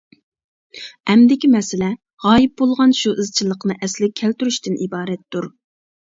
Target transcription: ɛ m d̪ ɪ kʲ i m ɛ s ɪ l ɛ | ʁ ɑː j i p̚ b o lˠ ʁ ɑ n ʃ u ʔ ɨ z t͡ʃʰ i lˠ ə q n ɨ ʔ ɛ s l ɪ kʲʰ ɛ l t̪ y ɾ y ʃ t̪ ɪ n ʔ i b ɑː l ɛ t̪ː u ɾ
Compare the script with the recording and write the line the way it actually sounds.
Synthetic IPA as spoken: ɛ m d̪ ɪ kʲ i m ɛ s ɪ l ɛ | ʁ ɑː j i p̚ b o lˠ ʁ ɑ n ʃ u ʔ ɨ z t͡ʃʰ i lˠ ə q n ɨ ʔ ɛ s l ɪ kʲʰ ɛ l t̪ y ɾ y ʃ t̪ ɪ n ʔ i b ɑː ɾ ɛ t̪ː u ɾ